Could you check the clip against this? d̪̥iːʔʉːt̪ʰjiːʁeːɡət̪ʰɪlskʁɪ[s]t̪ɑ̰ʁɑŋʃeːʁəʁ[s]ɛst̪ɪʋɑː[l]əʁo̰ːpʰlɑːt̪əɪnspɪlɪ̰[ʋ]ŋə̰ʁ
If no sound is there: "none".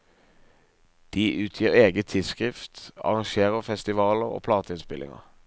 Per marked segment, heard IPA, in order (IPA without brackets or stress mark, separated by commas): f, f, l, none